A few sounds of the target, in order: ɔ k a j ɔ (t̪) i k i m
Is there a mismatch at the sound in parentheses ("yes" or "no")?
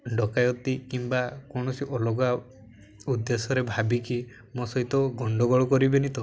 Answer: no